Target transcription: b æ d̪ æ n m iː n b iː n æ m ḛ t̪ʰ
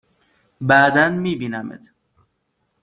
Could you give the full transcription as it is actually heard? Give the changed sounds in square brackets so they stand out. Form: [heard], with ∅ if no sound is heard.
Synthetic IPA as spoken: b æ d̪ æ n m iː [∅] b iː n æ m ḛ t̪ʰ